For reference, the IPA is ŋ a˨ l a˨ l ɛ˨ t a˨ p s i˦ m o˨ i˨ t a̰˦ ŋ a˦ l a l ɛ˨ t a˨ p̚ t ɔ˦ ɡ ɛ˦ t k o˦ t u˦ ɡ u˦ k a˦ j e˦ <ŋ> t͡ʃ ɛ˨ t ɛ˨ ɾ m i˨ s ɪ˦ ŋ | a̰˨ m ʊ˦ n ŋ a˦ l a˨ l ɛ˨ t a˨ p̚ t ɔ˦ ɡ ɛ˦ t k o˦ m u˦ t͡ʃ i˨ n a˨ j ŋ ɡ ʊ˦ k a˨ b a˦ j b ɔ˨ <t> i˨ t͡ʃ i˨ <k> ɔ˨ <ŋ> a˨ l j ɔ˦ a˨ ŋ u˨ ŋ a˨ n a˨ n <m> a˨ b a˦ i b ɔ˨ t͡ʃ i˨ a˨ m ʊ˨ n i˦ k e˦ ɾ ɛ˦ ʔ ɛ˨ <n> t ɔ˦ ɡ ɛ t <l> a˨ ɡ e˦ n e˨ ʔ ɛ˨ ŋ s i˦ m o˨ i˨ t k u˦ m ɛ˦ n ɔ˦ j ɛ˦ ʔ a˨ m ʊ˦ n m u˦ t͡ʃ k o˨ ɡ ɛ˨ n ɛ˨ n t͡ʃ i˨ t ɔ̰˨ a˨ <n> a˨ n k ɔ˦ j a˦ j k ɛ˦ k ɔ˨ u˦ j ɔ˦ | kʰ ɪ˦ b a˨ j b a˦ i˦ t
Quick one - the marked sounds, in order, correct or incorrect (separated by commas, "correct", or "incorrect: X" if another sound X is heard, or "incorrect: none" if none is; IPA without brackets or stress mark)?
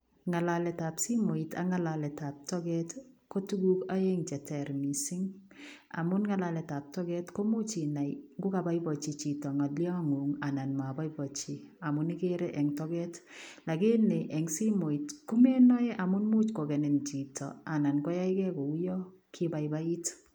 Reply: correct, incorrect: t͡ʃ, incorrect: t, correct, correct, incorrect: ŋ, correct, correct